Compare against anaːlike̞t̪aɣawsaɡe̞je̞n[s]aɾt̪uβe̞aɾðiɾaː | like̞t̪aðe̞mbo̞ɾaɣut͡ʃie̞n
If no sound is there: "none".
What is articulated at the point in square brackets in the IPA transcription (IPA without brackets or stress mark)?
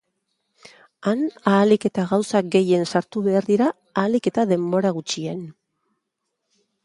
s